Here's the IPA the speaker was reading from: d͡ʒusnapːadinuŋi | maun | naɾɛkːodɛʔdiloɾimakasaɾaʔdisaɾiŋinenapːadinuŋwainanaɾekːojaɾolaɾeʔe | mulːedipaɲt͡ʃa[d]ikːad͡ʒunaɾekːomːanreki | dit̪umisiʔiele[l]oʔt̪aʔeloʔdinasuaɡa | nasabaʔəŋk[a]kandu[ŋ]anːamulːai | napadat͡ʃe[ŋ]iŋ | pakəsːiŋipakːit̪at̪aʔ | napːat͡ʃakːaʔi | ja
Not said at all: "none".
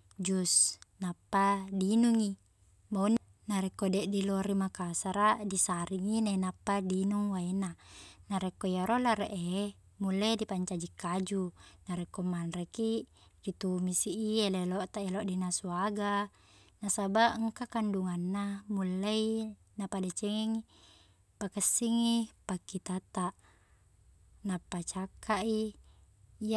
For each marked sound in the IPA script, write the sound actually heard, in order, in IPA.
d͡ʒ, l, a, ŋ, ŋ

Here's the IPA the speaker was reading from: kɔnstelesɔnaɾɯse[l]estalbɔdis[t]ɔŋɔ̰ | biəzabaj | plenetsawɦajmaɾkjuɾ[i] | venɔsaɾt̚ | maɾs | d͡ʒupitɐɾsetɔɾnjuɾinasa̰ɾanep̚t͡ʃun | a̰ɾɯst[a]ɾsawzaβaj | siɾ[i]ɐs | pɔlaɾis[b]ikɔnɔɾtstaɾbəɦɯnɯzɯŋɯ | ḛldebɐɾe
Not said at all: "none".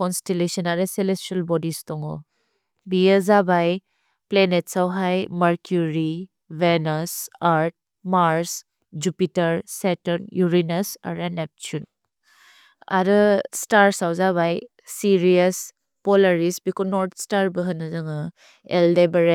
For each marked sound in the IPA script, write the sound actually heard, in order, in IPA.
l, t, i, a, i, b

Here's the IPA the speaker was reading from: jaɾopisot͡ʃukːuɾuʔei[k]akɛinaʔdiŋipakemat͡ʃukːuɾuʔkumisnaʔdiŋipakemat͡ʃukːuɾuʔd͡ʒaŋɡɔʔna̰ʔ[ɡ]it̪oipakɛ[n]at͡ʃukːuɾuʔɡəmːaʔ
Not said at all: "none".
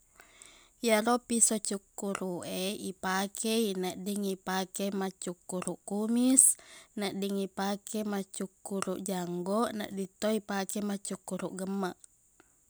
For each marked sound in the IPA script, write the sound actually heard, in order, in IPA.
p, d, m

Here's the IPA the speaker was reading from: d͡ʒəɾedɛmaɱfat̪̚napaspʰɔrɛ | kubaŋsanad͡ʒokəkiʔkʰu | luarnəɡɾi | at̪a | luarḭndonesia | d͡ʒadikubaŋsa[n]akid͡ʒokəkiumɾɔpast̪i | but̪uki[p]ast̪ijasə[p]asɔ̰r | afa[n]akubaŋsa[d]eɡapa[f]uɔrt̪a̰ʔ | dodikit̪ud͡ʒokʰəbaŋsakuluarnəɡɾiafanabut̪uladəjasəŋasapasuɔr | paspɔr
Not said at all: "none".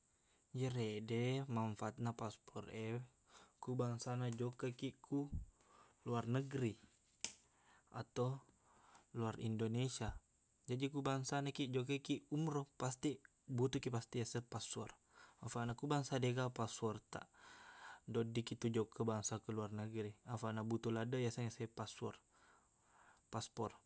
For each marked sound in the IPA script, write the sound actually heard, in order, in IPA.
n, p, p, n, d, s

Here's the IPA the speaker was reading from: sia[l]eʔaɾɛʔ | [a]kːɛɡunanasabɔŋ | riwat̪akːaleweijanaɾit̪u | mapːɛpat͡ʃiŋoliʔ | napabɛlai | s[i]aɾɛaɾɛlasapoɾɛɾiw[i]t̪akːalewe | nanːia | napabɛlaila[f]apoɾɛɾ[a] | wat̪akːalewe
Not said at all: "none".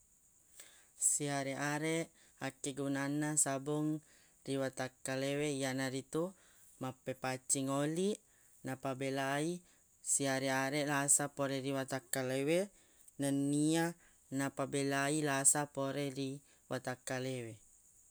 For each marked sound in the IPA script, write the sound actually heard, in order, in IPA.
ɾ, a, i, a, s, i

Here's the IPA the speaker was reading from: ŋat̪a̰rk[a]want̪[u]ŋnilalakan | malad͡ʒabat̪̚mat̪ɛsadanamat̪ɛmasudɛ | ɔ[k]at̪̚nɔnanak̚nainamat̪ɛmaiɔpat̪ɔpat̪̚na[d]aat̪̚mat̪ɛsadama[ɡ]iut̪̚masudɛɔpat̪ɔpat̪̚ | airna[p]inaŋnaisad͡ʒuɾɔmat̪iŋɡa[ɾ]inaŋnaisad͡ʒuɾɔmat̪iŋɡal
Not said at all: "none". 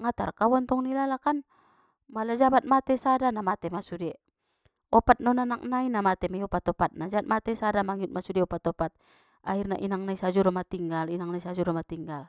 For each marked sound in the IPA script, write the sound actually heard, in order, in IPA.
a, ɔ, p, d͡ʒ, ŋ, ʔ, l

